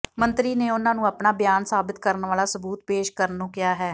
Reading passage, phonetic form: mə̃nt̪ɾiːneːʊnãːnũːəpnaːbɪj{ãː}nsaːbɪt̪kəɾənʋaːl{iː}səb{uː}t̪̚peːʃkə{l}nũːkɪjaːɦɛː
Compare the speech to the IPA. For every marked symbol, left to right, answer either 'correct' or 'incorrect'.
incorrect: aː, incorrect: aː, correct, incorrect: ɾ

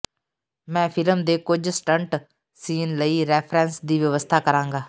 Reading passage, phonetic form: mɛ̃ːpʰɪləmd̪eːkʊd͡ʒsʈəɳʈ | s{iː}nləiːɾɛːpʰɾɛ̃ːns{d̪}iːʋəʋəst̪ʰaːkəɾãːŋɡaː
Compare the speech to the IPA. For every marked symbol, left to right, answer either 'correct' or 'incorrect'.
correct, correct

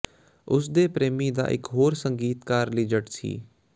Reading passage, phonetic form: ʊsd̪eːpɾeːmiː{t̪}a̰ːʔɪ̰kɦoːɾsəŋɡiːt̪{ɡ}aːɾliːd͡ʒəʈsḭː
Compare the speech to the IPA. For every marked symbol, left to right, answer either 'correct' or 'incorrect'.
incorrect: d̪, incorrect: k

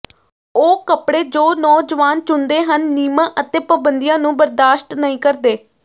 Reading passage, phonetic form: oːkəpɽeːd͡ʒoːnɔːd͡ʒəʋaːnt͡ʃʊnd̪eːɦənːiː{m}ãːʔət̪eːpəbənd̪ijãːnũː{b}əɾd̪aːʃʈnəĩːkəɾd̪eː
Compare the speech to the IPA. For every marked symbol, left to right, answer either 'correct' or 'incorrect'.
correct, correct

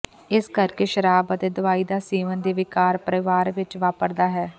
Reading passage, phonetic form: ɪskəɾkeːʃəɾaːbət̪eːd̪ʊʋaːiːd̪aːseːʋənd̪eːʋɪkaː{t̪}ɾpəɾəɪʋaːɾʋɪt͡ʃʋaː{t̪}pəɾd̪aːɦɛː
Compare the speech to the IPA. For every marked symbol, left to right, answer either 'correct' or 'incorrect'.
incorrect: none, incorrect: none

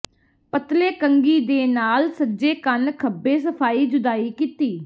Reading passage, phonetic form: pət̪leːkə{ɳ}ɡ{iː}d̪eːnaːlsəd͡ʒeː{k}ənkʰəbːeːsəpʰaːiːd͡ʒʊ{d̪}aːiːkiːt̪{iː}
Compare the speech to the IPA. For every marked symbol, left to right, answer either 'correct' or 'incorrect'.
incorrect: ŋ, correct, correct, correct, correct

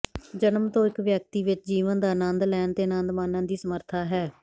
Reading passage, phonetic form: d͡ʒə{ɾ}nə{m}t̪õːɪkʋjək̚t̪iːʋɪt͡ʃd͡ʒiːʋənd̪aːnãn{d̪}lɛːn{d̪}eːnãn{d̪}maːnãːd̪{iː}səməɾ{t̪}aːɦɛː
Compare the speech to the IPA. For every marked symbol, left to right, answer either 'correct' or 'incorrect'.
incorrect: none, correct, correct, incorrect: t̪, correct, correct, incorrect: t̪ʰ

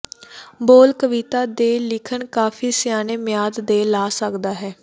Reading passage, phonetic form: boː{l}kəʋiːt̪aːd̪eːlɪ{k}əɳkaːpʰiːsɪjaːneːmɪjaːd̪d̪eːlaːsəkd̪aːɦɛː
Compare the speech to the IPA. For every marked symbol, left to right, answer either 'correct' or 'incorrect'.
correct, incorrect: kʰ

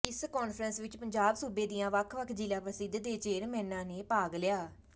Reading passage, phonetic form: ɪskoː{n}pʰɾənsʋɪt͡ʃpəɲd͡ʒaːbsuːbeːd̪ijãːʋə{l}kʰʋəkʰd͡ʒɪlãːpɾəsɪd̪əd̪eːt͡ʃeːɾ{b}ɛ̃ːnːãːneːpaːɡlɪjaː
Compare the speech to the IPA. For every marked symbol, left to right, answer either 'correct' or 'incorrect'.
correct, incorrect: none, incorrect: m

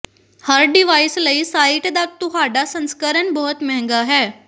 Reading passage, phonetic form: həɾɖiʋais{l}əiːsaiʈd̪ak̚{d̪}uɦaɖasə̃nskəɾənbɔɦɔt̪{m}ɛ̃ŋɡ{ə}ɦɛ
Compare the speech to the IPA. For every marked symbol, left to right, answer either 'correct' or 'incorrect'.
correct, incorrect: t̪, correct, incorrect: a

